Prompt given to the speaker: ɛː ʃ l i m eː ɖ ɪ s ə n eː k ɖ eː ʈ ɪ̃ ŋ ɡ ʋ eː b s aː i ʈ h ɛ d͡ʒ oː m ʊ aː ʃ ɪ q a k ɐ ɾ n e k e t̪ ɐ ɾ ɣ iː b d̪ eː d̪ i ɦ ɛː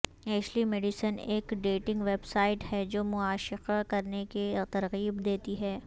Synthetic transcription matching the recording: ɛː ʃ l i m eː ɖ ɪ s ə n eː k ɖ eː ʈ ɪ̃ ŋ ɡ ʋ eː b s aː ɪ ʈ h ɛ d͡ʒ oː m ʊ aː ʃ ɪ q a k ɐ ɾ n e k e t̪ ɐ ɾ ɣ iː b d̪ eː t̪ i ɦ ɛː